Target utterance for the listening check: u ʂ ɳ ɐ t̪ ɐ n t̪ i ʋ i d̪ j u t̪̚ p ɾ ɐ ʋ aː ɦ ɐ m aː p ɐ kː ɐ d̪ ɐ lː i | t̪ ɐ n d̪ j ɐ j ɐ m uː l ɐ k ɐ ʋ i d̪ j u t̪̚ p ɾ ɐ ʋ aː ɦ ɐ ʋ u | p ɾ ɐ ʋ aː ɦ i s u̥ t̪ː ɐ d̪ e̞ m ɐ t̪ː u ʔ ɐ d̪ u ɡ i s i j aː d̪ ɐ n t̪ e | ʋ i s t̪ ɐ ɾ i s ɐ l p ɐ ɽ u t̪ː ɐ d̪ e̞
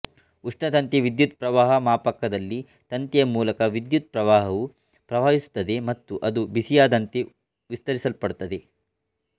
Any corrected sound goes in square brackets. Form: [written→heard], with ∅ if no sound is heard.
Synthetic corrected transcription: u ʂ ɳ ɐ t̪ ɐ n t̪ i ʋ i d̪ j u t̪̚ p ɾ ɐ ʋ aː ɦ ɐ m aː p ɐ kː ɐ d̪ ɐ lː i | t̪ ɐ n [d̪→t̪] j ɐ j ɐ m uː l ɐ k ɐ ʋ i d̪ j u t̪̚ p ɾ ɐ ʋ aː ɦ ɐ ʋ u | p ɾ ɐ ʋ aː ɦ i s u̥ t̪ː ɐ d̪ e̞ m ɐ t̪ː u ʔ ɐ d̪ u [ɡ→b] i s i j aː d̪ ɐ n t̪ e | ʋ i s t̪ ɐ ɾ i s ɐ l p ɐ ɽ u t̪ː ɐ d̪ e̞